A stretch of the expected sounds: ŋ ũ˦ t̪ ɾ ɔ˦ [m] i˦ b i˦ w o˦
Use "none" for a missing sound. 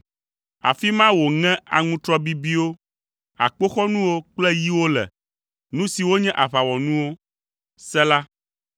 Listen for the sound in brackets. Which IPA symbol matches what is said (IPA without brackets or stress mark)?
b